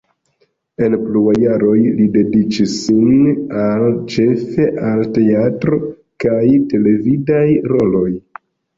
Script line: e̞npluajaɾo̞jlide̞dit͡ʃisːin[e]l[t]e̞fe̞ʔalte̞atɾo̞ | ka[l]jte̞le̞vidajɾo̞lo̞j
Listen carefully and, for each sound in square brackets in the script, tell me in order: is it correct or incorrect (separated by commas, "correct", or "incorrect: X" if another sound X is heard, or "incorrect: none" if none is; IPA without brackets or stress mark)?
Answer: incorrect: a, incorrect: t͡ʃ, incorrect: none